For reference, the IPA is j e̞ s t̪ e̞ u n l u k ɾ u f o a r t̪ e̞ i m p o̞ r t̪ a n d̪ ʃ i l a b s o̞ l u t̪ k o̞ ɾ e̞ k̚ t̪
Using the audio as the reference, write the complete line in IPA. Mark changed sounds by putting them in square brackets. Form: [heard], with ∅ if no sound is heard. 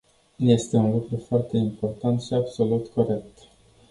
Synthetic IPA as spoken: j e̞ s t̪ e̞ u n l u k ɾ u f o a r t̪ e̞ i m p o̞ r t̪ a n [t̪] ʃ i [∅] a b s o̞ l u t̪ k o̞ ɾ e̞ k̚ t̪